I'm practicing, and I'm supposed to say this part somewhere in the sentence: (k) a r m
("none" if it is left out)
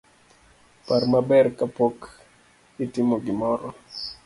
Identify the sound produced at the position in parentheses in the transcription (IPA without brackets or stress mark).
p